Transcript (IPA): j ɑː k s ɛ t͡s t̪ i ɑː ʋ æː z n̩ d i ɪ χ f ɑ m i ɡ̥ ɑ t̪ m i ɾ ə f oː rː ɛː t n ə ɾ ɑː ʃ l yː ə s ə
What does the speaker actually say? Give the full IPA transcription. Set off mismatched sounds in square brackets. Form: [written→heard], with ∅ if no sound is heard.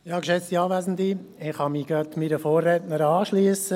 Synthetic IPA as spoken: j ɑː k [s→ʃ] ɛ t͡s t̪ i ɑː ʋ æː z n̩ d i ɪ χ [f→h] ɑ m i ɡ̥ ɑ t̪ m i ɾ ə f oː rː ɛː t n ə ɾ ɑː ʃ l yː ə s ə

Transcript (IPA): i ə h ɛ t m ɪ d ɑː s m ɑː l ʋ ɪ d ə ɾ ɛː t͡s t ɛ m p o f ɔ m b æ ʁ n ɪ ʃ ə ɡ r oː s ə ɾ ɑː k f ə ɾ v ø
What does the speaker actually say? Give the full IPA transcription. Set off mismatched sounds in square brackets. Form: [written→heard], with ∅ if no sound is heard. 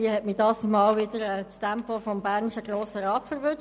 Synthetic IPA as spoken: i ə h ɛ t m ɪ d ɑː s m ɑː l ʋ ɪ d ə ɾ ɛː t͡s t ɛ m p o f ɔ m b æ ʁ n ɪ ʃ ə ɡ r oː s ə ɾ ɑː [k→p] f ə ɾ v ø

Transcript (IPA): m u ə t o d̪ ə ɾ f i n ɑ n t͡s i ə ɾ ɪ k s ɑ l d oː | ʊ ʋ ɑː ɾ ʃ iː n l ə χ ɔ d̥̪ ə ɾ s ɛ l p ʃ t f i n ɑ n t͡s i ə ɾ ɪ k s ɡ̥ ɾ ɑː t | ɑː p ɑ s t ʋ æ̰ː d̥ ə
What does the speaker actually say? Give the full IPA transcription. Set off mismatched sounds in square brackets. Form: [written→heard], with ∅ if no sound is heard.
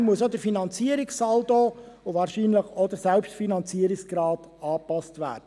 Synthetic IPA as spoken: m u ə [t→s] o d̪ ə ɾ f i n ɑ n t͡s i ə ɾ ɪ k s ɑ l d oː | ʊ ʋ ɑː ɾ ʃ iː n l ə χ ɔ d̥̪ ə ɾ s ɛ l p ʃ t f i n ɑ n t͡s i ə ɾ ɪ k s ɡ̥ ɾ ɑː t | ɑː p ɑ s t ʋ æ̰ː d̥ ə

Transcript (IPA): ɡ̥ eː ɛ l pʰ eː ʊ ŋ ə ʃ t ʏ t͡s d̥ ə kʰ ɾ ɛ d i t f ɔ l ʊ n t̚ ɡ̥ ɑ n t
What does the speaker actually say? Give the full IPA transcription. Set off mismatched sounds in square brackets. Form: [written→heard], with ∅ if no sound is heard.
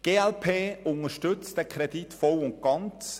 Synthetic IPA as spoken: ɡ̥ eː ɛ l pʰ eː ʊ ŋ ə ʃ t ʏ t͡s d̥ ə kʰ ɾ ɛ d i t f ɔ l ʊ n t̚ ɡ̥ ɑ n [t→t͡s]

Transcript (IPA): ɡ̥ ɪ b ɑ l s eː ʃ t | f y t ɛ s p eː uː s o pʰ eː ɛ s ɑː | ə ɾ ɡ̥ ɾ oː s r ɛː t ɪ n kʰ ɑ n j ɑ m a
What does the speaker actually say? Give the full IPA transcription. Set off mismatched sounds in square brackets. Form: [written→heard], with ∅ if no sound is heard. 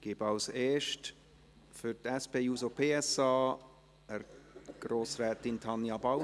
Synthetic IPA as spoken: ɡ̥ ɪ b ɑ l s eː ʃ t | f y t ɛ s p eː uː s o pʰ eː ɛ s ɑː | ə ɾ ɡ̥ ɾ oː s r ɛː t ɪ n [kʰ→tʰ] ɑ n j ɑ [m→b] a

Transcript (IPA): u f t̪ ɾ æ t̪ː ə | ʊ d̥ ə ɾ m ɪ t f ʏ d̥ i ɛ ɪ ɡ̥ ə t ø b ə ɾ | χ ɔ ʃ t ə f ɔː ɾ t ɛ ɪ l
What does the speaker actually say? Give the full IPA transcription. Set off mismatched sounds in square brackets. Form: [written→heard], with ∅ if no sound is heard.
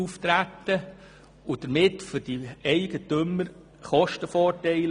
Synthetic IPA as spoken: u f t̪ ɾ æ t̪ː ə | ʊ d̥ ə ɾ m ɪ t f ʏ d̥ i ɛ ɪ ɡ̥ ə t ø [b→m] ə ɾ | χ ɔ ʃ t ə f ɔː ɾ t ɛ ɪ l

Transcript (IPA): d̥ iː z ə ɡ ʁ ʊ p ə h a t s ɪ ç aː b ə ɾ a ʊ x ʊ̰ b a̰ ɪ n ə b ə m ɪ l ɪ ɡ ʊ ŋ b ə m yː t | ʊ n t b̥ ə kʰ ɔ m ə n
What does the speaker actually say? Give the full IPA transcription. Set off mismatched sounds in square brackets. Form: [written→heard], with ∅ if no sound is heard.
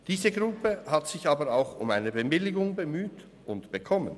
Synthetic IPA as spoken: d̥ iː z ə ɡ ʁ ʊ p ə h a t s ɪ ç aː b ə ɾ a ʊ x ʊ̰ [b→m] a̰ ɪ n ə b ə m ɪ l ɪ ɡ ʊ ŋ b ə m yː t | ʊ n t b̥ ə kʰ ɔ m ə n

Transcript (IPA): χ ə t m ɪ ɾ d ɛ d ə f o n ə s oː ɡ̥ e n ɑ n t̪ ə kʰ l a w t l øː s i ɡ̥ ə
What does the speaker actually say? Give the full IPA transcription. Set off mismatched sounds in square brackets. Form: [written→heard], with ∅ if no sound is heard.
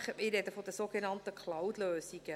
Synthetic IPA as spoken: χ ə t m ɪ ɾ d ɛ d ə f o [n→d] ə s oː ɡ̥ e n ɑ n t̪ ə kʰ l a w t l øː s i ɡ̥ ə

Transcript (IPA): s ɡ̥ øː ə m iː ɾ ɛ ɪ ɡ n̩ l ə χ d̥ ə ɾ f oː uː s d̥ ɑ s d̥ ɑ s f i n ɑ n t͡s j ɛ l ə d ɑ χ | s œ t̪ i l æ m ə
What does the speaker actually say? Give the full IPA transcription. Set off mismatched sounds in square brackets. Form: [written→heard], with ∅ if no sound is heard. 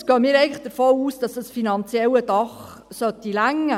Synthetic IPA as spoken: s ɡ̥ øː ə m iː ɾ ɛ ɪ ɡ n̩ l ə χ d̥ ə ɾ f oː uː s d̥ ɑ s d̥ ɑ s f i n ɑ n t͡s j ɛ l ə d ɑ χ | s œ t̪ i l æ [m→ŋ] ə

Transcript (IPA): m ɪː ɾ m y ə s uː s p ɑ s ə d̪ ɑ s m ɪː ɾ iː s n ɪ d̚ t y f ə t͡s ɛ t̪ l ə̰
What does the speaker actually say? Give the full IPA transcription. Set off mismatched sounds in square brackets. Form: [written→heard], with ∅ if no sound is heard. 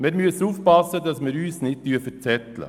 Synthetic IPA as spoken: m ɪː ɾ m y ə s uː [s→f] p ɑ s ə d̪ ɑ s m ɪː ɾ [iː→yː] s n ɪ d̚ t y f ə t͡s ɛ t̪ l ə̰

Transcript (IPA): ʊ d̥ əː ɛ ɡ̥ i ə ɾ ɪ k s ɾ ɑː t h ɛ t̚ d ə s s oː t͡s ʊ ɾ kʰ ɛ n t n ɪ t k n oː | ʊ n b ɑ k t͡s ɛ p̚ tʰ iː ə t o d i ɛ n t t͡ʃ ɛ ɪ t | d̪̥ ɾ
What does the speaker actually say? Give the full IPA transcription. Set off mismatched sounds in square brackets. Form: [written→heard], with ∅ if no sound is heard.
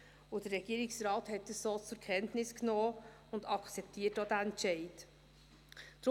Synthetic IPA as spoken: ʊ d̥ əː ɛ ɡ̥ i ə ɾ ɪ k s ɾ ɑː t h ɛ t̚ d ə s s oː t͡s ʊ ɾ kʰ ɛ n t n ɪ [t→s] k n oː | ʊ n [b→d] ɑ k t͡s ɛ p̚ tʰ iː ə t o d [i→æ] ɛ n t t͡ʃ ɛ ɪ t | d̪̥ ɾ

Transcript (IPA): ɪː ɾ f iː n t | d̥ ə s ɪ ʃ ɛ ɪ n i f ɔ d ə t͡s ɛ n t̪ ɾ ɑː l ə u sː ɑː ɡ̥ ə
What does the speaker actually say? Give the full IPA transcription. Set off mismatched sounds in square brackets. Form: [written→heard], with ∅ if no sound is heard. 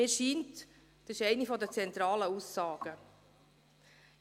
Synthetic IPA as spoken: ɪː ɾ [f→ʃ] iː n t | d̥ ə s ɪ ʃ ɛ ɪ n i f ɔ d ə t͡s ɛ n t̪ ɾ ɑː l ə u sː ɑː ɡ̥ ə

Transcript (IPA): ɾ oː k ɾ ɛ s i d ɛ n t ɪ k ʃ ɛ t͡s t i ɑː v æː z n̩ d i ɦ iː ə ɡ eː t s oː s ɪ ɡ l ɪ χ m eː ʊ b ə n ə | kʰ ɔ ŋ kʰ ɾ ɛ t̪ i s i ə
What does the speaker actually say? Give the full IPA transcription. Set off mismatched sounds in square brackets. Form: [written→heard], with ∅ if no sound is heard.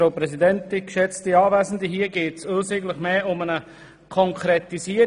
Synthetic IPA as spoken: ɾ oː [k→p] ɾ ɛ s i d ɛ n t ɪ k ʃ ɛ t͡s t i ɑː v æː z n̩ d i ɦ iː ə ɡ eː t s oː s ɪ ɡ l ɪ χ m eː ʊ [b→m] ə n ə | kʰ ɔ ŋ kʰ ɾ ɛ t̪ i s i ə

